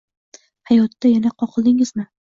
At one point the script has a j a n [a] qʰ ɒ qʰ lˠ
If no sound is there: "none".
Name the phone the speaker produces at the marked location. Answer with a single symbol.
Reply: a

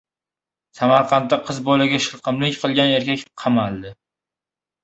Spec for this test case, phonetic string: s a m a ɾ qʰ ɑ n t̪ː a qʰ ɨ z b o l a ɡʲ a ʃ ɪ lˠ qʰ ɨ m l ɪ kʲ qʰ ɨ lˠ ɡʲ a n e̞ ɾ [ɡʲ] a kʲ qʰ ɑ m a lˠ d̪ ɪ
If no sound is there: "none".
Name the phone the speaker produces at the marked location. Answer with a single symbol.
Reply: kʲ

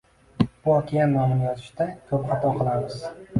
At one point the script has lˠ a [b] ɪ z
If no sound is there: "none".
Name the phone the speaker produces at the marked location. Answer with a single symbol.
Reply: m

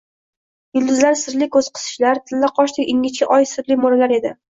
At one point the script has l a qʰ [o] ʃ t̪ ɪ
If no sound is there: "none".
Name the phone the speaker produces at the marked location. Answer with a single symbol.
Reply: ɒ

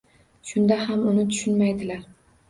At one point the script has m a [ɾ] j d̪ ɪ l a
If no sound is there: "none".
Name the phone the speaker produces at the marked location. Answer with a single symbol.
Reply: none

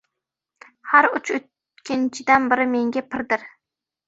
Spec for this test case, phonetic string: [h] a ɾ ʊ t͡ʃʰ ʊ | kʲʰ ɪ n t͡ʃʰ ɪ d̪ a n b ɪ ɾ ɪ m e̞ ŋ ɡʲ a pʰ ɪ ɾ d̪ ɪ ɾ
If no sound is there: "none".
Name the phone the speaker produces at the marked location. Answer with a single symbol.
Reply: h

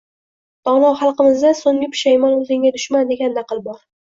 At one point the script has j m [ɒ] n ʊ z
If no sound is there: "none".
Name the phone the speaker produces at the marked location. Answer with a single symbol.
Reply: ɒ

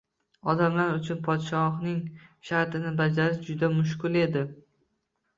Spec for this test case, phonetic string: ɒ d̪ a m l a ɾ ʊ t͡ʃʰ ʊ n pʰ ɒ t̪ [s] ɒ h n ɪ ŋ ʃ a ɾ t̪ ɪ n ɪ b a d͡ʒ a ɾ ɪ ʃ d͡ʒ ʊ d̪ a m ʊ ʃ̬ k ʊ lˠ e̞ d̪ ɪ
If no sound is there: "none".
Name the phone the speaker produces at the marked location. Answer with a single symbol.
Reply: ʃ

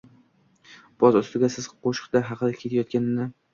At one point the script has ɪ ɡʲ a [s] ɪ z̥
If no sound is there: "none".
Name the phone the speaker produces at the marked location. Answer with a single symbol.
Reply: s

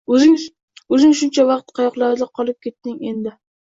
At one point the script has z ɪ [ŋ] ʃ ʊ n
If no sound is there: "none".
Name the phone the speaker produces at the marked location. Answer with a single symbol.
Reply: ŋ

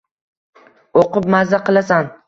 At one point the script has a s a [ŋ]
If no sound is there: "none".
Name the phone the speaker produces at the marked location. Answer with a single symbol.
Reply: n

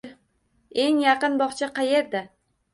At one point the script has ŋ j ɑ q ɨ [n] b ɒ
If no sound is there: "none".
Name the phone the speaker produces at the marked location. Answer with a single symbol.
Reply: n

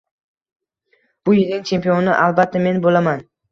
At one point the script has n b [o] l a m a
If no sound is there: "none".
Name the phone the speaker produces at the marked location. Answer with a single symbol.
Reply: o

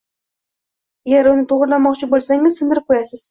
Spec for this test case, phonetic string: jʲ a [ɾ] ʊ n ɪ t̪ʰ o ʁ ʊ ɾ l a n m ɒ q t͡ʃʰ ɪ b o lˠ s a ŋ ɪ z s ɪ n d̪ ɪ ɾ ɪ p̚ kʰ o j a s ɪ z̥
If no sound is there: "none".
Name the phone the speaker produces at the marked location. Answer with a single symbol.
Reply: ɾ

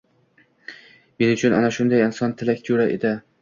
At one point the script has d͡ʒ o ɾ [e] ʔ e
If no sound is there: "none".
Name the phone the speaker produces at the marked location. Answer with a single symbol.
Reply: a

